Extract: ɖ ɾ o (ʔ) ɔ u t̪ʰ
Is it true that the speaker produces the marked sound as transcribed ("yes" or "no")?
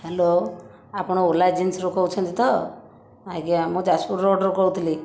no